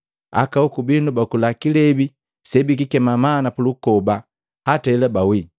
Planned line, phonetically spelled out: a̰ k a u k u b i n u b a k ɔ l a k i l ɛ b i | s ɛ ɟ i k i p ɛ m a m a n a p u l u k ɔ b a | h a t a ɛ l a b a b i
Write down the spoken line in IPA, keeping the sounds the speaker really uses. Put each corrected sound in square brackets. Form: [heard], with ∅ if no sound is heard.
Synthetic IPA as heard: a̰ k a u k u b i n u b a k [u] l a k i l ɛ b i | s ɛ [b] i k i [k] ɛ m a m a n a p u l u k ɔ b a | h a t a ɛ l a b a [w] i